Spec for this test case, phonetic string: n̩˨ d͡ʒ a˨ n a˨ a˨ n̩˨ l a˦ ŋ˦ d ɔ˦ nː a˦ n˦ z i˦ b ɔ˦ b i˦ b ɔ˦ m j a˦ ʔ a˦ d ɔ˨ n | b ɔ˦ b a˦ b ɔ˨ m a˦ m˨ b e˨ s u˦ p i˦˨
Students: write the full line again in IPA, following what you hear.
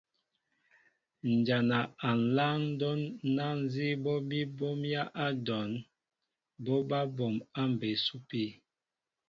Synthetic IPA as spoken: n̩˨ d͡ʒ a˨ n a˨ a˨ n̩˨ l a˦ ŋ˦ d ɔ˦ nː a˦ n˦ z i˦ b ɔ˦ b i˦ b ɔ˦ m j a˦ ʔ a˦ d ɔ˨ n | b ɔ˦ b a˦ b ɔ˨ m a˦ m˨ b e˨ s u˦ p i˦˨